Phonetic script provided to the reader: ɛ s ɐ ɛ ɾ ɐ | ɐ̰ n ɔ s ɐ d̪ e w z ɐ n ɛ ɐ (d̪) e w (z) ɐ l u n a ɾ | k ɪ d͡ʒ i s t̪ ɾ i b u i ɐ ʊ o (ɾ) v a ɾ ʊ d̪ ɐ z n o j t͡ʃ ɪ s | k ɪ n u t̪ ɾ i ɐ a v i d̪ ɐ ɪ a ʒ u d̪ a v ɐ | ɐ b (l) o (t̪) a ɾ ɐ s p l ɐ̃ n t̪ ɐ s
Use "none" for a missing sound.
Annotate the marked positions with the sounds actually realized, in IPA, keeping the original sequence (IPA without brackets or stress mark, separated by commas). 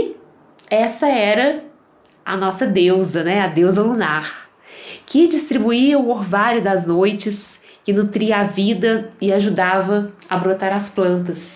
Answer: d̪, z, ɾ, ɾ, t̪